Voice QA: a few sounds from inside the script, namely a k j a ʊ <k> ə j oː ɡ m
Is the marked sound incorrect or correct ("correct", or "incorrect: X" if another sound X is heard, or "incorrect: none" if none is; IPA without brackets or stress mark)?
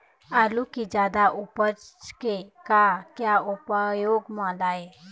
incorrect: p